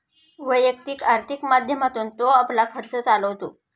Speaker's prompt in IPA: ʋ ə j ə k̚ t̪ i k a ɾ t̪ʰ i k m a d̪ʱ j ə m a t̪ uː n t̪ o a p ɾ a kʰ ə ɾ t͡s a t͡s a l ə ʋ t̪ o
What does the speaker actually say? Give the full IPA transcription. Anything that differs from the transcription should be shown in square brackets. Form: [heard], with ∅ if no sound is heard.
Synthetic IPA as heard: ʋ ə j ə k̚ t̪ i k a ɾ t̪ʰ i k m a d̪ʱ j ə m a t̪ uː n t̪ o a p [l] a kʰ ə ɾ t͡s [ə] t͡s a l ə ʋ t̪ o